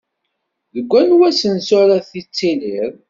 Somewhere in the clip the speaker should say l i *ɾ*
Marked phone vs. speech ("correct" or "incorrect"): correct